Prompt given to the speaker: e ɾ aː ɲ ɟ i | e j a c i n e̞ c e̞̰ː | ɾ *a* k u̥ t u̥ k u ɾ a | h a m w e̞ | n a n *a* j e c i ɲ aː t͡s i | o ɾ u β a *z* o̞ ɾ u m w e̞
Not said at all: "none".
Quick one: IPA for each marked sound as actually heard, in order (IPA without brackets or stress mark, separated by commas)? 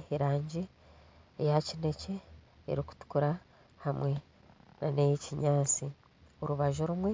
i, e, ʒ